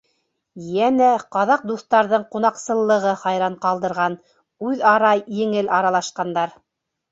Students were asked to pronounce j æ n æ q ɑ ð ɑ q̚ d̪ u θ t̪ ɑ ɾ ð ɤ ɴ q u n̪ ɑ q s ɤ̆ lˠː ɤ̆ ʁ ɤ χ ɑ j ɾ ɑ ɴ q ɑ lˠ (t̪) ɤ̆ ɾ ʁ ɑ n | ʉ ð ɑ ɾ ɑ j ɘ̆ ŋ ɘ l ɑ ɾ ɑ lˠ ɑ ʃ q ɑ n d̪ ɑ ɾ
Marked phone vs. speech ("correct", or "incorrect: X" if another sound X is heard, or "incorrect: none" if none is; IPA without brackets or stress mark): incorrect: d̪